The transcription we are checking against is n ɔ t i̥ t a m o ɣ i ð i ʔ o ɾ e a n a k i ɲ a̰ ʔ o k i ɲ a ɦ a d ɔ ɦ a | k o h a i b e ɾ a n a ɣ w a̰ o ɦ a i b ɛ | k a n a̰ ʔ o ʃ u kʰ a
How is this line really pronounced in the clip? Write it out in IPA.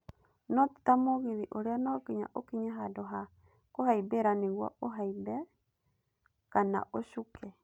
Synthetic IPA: n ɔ t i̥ t a m o ɣ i ð i ʔ o ɾ e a n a k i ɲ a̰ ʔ o k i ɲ a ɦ a d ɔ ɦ a | k o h a i b e ɾ a n e ɣ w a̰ o ɦ a i b ɛ | k a n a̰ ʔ o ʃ u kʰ ɛ